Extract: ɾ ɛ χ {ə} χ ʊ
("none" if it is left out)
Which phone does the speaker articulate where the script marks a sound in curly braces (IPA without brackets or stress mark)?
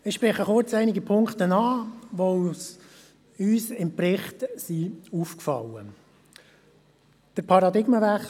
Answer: ə